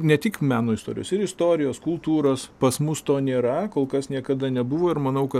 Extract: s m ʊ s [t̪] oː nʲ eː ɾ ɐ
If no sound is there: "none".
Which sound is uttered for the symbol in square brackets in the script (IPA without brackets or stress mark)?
t̪